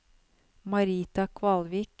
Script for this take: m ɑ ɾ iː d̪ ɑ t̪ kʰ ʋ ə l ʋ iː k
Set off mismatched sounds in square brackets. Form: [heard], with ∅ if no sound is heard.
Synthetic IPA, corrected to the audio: m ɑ ɾ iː [t̪] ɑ [∅] kʰ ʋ [ɑ] l ʋ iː k